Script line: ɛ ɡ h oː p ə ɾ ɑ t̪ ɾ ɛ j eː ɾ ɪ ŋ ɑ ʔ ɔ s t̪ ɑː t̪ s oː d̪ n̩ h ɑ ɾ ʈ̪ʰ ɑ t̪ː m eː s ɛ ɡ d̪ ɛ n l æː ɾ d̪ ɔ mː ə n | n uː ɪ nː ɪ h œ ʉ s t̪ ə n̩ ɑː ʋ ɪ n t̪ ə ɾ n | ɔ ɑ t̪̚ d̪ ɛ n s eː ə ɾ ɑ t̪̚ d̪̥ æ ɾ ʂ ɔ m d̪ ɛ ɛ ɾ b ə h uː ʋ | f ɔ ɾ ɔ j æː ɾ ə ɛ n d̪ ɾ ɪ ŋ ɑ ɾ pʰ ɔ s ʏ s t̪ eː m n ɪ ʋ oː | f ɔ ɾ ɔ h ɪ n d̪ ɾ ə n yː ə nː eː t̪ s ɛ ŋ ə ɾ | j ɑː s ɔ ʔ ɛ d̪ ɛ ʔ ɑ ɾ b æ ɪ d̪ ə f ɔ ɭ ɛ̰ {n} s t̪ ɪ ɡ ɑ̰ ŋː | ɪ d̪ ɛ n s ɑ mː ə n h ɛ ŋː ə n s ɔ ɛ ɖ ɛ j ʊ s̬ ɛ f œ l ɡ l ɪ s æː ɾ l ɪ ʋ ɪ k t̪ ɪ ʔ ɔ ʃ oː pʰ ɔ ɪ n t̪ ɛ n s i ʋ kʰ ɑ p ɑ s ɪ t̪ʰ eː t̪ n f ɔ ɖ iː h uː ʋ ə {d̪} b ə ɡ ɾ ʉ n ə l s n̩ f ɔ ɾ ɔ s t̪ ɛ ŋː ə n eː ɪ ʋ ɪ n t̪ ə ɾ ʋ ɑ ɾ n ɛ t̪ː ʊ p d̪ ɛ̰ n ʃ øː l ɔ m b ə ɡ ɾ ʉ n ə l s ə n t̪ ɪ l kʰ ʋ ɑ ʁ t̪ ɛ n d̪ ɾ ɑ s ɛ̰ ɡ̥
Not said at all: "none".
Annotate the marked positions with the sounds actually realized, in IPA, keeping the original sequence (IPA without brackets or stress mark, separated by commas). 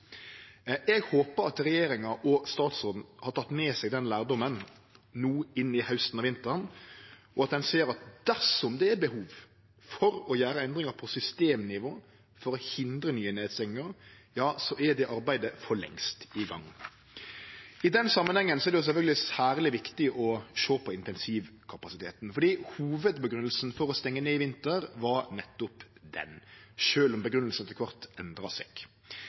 ŋ, d̪